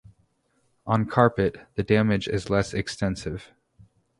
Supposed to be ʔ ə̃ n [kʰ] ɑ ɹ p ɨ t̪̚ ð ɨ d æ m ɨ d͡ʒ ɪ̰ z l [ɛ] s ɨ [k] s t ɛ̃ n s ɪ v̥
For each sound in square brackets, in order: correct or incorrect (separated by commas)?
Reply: correct, correct, correct